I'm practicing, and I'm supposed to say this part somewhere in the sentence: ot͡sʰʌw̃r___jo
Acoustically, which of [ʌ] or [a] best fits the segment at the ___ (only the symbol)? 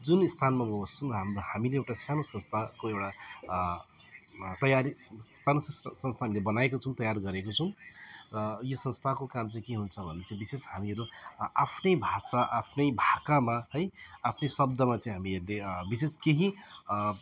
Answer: ʌ